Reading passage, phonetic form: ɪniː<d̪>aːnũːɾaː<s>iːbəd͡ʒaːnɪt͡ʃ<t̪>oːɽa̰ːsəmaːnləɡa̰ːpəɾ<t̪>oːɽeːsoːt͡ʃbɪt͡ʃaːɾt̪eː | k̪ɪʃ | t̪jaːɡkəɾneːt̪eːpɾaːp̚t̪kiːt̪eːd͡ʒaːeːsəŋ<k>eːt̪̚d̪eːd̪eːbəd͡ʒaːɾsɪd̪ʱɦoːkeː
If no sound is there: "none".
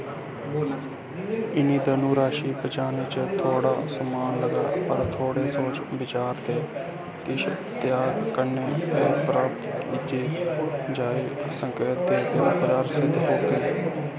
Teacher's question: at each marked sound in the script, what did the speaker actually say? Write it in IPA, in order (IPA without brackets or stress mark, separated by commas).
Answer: d̪, ʃ, t̪ʰ, t̪ʰ, k